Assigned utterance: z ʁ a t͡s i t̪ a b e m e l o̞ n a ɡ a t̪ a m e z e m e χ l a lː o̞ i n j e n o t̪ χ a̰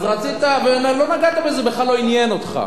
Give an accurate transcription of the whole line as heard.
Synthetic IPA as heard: z ʁ a t͡s i t̪ a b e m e l o̞ n a ɡ a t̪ a b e z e b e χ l a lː o̞ i n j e n o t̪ χ a̰